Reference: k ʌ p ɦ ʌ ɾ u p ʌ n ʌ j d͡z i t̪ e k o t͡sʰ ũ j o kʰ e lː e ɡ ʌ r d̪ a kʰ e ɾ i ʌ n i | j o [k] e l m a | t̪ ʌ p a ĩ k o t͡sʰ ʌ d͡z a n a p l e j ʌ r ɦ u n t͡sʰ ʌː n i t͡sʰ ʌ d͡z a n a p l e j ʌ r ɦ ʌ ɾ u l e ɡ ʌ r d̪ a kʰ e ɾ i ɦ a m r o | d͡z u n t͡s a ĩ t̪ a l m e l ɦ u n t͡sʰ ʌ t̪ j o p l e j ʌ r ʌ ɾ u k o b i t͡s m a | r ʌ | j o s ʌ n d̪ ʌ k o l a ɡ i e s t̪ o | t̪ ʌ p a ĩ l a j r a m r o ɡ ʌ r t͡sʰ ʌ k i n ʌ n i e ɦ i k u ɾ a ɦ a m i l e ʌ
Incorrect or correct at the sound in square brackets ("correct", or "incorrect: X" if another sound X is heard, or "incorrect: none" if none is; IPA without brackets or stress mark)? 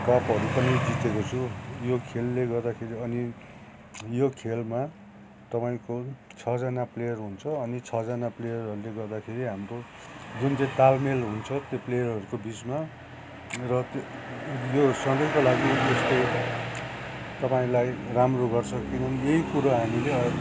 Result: incorrect: kʰ